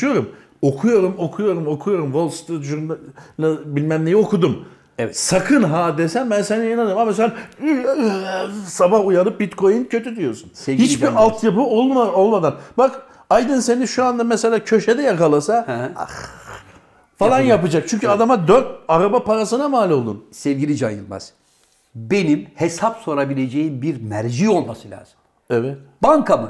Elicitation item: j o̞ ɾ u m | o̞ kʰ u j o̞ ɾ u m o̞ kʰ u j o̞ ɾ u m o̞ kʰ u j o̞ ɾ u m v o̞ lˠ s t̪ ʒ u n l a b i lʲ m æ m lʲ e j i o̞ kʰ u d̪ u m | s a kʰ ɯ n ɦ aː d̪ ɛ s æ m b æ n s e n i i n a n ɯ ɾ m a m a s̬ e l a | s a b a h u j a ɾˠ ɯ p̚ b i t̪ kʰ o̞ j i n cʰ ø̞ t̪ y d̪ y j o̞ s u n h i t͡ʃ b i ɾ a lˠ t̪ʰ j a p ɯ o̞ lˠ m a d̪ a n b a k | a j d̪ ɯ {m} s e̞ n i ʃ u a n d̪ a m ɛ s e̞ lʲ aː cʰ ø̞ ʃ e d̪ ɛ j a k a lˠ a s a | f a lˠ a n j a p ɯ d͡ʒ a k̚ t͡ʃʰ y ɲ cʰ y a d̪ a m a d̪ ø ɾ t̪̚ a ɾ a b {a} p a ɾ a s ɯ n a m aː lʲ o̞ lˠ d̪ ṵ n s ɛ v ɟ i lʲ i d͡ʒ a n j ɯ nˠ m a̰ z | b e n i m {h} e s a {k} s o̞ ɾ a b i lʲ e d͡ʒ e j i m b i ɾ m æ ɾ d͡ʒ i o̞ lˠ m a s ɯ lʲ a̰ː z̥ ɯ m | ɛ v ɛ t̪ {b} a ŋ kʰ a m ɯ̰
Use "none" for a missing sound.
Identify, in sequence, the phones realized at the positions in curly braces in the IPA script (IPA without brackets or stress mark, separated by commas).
n, a, h, p, b